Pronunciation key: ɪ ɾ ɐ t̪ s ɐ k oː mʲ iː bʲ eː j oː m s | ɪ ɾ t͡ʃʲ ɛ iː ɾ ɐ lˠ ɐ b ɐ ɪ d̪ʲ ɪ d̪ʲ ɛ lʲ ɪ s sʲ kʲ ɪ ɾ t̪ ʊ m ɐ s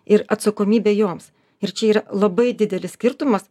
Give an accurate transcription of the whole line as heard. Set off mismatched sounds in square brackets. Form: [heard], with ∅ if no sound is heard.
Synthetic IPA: ɪ ɾ ɐ t̪ s ɐ k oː mʲ iː bʲ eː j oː m s | ɪ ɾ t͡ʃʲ ɛ iː ɾ ɐ lˠ ɐ b ɐ ɪ d̪ʲ ɪ d̪ʲ ɛ lʲ ɪ s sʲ kʲ ɪ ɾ t̪ ʊ m ɐ s